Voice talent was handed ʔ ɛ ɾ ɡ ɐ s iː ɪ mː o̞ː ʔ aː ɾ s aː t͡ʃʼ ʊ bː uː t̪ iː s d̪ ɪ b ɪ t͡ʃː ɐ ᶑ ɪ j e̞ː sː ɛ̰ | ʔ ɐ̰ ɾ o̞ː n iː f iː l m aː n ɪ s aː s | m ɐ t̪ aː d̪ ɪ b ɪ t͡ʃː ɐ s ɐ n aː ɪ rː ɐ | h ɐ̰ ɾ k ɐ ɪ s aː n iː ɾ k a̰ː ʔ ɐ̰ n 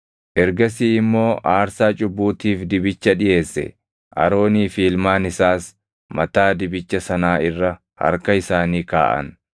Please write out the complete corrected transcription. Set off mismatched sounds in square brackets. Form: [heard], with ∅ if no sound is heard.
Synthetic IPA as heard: ʔ ɛ ɾ ɡ ɐ s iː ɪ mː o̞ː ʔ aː ɾ s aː t͡ʃʼ ʊ bː uː t̪ iː [f] d̪ ɪ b ɪ t͡ʃː ɐ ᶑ ɪ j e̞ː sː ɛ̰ | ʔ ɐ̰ ɾ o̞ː n iː f iː l m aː n ɪ s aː s | m ɐ t̪ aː d̪ ɪ b ɪ t͡ʃː ɐ s ɐ n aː ɪ rː ɐ | h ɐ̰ ɾ k ɐ ɪ s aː n iː [∅] k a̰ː ʔ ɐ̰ n